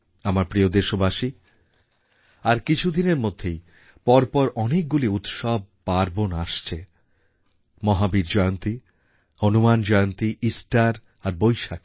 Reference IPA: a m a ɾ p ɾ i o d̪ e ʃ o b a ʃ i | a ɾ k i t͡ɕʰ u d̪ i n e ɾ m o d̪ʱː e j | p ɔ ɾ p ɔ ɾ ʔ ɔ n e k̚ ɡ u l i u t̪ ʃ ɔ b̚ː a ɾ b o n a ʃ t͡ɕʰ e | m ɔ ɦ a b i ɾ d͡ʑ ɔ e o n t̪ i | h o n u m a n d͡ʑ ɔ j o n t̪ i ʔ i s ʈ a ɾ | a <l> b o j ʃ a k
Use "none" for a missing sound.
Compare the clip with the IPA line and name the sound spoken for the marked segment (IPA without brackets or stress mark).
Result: ɾ